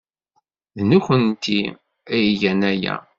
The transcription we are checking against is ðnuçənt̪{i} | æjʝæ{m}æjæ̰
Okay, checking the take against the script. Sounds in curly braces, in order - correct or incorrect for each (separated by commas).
correct, incorrect